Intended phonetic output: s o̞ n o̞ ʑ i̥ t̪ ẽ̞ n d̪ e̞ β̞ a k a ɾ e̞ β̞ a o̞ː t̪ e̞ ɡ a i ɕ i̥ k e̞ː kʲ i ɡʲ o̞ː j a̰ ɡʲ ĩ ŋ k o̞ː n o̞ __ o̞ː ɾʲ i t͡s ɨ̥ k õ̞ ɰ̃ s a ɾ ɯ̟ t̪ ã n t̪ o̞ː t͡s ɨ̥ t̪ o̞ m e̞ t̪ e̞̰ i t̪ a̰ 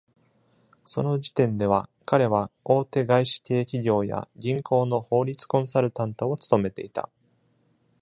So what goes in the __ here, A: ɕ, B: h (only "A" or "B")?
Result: B